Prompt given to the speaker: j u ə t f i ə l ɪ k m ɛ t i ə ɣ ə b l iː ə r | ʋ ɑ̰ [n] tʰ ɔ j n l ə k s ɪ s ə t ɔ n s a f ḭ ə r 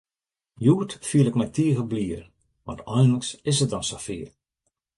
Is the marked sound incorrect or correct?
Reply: correct